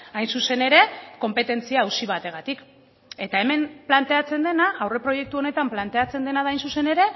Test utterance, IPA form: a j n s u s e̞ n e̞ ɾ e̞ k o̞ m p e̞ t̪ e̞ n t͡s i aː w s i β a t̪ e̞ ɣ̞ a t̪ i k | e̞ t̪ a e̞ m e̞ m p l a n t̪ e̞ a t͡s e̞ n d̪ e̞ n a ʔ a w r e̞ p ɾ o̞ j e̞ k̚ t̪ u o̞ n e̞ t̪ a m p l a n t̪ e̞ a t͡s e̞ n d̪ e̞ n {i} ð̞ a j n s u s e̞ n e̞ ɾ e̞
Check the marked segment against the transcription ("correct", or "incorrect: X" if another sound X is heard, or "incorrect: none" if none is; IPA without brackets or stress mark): incorrect: a